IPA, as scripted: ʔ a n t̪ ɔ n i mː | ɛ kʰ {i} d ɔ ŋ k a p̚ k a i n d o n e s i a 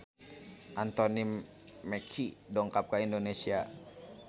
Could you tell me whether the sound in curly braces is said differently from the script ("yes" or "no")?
no